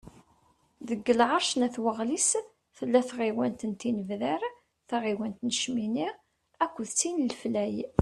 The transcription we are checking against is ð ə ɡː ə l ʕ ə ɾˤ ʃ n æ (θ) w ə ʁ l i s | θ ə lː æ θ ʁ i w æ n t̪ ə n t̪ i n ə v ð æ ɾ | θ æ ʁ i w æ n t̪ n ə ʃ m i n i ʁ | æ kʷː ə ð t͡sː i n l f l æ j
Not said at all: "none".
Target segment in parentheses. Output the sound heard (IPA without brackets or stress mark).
θ